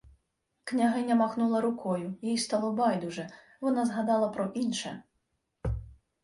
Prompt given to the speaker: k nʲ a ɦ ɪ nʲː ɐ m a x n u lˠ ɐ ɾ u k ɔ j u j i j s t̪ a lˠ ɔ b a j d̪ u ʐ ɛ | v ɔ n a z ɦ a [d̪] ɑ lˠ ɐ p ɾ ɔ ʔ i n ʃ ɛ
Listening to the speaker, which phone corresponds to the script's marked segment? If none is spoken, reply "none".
d̪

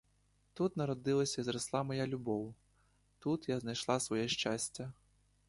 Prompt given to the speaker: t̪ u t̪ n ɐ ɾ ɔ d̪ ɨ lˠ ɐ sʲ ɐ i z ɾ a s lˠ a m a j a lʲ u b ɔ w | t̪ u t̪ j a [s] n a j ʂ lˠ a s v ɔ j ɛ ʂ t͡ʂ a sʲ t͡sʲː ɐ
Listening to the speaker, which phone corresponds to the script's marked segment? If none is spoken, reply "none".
z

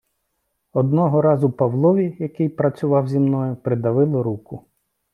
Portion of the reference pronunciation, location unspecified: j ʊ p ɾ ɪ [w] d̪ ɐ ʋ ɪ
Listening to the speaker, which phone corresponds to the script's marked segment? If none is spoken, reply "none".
none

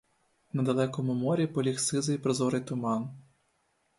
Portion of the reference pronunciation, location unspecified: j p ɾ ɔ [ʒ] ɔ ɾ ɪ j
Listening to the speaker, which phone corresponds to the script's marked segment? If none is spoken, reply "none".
z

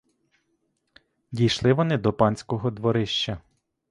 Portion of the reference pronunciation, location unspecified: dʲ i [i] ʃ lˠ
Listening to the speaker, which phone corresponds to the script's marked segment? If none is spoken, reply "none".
j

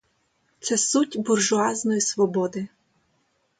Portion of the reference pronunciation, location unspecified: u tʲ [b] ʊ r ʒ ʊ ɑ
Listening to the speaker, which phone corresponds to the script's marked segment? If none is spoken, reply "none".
b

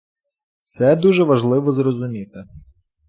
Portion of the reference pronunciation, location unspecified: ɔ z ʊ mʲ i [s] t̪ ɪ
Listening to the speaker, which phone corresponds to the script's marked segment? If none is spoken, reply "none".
none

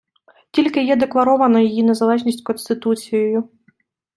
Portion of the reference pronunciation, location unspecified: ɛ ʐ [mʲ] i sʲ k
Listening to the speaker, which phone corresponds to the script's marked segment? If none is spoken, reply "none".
nʲ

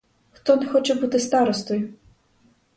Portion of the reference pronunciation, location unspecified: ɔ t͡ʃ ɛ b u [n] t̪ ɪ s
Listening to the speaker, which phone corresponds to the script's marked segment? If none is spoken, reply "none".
none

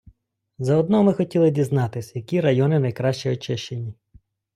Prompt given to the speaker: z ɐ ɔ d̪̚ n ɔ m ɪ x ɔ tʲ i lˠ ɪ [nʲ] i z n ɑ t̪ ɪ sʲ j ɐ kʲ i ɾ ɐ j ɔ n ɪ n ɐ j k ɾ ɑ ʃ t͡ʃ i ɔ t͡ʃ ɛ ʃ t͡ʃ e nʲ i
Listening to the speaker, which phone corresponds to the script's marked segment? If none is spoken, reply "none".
dʲ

